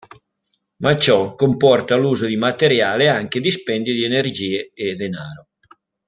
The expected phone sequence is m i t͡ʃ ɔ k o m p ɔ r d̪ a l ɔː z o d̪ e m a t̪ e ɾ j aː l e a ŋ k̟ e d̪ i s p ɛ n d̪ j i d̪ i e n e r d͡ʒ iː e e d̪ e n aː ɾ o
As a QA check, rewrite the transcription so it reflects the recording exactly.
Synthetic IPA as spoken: m a t͡ʃ ɔ k o m p ɔ r t̪ a l uː z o d̪ i m a t̪ e ɾ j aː l e a ŋ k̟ e d̪ i s p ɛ n d̪ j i d̪ i e n e r d͡ʒ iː e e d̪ e n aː ɾ o